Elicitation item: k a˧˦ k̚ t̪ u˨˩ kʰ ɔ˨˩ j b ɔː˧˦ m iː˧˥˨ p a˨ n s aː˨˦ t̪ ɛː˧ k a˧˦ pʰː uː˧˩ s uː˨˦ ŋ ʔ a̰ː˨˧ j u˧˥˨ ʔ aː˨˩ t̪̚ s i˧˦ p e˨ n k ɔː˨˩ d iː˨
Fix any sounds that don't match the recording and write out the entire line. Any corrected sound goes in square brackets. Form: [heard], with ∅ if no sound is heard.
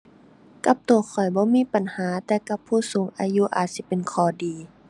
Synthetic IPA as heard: k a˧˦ [p̚] t̪ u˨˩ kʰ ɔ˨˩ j b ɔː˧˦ m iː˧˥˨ p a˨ n [h] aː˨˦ t̪ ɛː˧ k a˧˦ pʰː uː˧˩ s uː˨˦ ŋ ʔ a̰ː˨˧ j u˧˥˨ ʔ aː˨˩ t̪̚ s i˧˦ p e˨ n [kʰ] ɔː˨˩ d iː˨